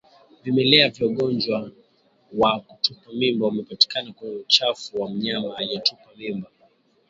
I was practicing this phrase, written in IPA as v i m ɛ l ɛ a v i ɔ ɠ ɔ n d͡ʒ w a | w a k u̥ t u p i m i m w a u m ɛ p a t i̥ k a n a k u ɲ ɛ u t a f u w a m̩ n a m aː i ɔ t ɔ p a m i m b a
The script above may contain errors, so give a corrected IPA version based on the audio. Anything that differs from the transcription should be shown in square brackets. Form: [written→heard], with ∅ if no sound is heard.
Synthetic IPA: v i m ɛ l ɛ a v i ɔ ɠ ɔ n d͡ʒ w a | w a k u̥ t u p [i→a] m i m [w→b] a u m ɛ p a t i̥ k a n a k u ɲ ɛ u [t→t͡ʃ] a f u w a m̩ [n→ɲ] a m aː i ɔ t [ɔ→u] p a m i m b a